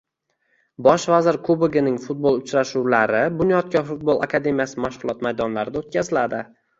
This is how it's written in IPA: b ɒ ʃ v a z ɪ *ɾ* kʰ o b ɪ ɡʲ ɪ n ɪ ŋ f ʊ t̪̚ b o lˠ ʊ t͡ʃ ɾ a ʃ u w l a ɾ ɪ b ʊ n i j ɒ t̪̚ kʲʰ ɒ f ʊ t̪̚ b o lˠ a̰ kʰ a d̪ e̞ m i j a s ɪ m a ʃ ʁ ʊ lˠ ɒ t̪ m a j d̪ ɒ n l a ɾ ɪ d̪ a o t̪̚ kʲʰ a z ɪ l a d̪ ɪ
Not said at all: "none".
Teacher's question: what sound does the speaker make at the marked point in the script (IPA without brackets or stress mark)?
ɾ